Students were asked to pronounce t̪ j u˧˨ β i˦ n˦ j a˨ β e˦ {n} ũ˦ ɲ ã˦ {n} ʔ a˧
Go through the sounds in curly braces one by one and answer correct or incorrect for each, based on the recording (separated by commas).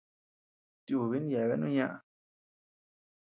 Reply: correct, incorrect